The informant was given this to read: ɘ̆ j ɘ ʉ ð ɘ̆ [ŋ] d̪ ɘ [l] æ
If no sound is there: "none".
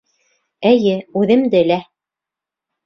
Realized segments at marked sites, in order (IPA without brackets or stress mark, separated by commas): m, l